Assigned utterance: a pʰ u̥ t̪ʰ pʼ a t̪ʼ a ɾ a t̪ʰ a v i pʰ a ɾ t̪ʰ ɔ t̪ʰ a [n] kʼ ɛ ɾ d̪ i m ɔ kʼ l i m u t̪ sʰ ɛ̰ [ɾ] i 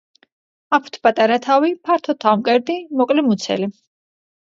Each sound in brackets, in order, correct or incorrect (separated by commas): incorrect, incorrect